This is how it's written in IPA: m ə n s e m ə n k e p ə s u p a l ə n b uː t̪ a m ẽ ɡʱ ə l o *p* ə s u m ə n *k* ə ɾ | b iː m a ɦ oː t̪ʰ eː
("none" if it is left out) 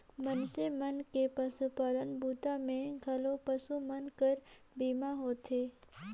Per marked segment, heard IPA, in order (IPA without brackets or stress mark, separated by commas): p, k